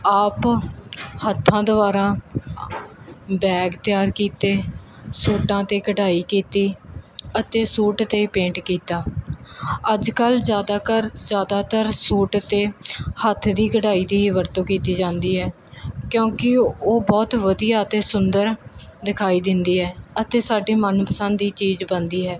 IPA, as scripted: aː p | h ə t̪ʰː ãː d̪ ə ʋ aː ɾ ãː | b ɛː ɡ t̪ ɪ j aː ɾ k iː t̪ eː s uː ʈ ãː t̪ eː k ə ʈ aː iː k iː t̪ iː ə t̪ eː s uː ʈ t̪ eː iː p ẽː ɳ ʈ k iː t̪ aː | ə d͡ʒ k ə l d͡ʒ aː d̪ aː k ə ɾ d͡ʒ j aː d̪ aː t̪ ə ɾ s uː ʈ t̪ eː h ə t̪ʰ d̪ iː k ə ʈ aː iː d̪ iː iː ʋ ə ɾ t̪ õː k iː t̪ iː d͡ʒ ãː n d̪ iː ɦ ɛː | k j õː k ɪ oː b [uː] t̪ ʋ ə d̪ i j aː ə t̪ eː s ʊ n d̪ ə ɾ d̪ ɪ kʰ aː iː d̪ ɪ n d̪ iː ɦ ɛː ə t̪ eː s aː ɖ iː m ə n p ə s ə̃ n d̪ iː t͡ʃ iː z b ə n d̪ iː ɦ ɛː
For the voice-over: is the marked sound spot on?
no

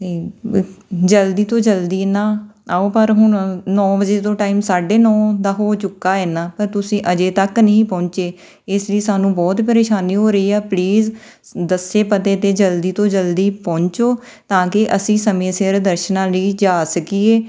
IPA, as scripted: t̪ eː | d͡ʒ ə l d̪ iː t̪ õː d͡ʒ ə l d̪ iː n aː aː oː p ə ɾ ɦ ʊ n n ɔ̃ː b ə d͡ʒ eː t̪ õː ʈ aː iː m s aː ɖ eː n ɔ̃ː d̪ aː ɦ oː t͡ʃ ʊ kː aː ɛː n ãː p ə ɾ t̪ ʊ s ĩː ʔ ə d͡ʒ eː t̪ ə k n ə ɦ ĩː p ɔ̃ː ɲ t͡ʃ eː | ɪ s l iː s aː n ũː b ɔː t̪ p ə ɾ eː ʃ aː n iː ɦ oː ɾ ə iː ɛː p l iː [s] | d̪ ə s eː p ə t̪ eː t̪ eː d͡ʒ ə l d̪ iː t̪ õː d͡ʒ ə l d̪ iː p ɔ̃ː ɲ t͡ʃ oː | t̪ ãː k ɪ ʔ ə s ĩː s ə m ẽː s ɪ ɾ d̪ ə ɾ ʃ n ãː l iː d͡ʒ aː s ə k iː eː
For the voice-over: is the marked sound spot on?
no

